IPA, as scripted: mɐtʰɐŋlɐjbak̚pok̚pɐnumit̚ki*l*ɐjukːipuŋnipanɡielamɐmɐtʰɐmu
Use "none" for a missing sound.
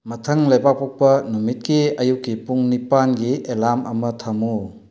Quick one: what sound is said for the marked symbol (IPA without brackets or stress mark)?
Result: none